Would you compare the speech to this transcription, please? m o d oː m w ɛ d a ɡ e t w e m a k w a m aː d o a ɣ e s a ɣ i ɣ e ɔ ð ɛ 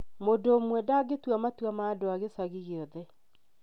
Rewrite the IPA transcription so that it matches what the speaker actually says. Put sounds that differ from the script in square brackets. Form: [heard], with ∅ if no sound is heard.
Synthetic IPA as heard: m o d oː m w ɛ d a ɡ e t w [a] m a [t] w a m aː d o a ɣ e s a ɣ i ɣ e ɔ ð ɛ